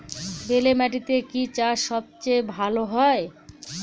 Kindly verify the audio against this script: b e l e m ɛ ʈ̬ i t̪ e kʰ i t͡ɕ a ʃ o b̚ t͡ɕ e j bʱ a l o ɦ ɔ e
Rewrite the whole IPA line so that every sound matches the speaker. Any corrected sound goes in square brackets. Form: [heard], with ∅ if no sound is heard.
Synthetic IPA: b e l e m ɛ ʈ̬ i t̪ e [k] i t͡ɕ a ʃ [ɔ] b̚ t͡ɕ e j bʱ a l o ɦ ɔ e

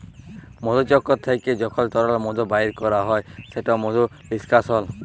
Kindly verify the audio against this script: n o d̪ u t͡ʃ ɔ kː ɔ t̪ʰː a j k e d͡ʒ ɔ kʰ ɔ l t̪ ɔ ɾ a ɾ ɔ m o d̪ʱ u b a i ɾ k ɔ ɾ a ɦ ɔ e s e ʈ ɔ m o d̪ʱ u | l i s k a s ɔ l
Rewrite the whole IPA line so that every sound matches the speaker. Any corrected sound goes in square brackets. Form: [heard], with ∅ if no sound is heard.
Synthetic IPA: [m] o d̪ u t͡ʃ ɔ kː ɔ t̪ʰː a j k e d͡ʒ ɔ kʰ ɔ l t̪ ɔ ɾ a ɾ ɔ m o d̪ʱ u b a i ɾ k ɔ ɾ a ɦ ɔ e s e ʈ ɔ m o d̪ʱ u | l i s k a s ɔ l

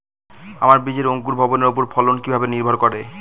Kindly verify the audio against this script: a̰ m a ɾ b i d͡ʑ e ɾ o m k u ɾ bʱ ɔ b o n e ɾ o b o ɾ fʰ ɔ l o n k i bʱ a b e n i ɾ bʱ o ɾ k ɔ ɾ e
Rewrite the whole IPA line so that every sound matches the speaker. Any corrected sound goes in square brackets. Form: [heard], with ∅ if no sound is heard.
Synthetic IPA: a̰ m a ɾ b i d͡ʑ e ɾ o [ŋ] k u ɾ bʱ ɔ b o n e ɾ o [p] o ɾ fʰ ɔ l o n k i bʱ a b e n i ɾ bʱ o ɾ k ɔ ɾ e

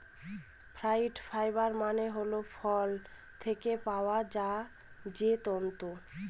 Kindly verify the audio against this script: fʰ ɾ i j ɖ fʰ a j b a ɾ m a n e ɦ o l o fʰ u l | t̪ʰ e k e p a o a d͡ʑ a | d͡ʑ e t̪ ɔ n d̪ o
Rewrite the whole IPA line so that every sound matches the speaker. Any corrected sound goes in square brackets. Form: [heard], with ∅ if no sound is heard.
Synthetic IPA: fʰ ɾ [a] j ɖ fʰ a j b a ɾ m a n e ɦ o l o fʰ [ɔ] l | t̪ʰ e k e p a o a d͡ʑ a | d͡ʑ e t̪ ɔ n [t̪] o

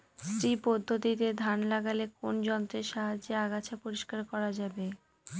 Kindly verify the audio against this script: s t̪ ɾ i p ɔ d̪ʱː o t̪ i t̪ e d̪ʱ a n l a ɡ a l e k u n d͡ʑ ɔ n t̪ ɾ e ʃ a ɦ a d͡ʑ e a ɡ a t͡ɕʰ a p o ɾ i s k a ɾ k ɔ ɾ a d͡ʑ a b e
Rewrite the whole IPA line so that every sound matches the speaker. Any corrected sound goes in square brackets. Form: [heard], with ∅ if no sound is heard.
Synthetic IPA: s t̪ ɾ i p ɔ d̪ʱː o t̪ i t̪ e d̪ʱ a n l a ɡ a l e k [o] n d͡ʑ ɔ n t̪ ɾ e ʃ a ɦ a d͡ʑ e a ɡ a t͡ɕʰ a p o ɾ i [ʃ] k a ɾ k ɔ ɾ a d͡ʑ a b e

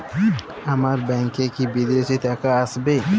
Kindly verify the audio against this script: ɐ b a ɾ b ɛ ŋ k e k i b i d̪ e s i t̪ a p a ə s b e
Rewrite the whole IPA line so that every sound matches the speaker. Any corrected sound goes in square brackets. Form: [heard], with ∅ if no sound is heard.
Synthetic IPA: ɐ [m] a ɾ b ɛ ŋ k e k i b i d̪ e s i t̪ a [k] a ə s b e

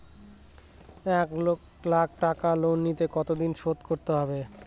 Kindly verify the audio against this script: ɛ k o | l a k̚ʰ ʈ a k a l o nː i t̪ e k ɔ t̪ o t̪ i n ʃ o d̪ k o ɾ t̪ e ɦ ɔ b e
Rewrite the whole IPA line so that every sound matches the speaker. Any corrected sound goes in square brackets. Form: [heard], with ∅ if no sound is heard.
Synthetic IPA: ɛ k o | l a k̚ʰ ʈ a k a l o nː i t̪ e k ɔ t̪ o [d̪] i n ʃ o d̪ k o ɾ t̪ e ɦ ɔ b e

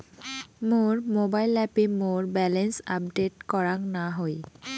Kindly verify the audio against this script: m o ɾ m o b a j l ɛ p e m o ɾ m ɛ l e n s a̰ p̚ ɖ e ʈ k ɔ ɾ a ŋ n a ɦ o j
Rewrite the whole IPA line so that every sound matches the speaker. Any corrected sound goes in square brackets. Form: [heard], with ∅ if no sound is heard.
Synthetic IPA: m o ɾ m o b a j l ɛ p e m o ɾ [b] ɛ l e n s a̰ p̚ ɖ e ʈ k ɔ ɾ a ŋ n a ɦ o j

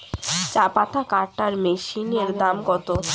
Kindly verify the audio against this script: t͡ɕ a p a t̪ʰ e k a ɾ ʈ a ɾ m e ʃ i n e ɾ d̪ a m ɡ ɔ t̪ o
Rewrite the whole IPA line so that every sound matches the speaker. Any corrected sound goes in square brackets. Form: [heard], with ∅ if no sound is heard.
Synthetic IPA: t͡ɕ a p a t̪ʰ [a] k a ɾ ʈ a ɾ m e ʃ i n e ɾ d̪ a m ɡ ɔ t̪ o

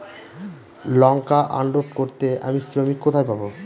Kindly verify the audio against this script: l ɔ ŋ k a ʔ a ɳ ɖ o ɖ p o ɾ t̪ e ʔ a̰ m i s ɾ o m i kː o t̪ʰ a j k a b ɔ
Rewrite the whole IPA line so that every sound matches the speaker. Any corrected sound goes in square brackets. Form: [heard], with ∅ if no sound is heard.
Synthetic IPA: l ɔ ŋ k a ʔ a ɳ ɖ o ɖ [k] o ɾ t̪ e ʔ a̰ m i s ɾ o m i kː o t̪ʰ a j [p] a b [o]

